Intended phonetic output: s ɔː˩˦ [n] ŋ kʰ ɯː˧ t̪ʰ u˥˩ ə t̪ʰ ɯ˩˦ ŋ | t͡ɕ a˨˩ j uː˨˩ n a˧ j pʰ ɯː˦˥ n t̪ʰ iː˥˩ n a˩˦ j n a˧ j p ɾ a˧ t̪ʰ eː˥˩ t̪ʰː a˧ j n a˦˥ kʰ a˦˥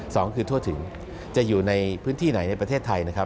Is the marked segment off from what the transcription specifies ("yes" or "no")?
yes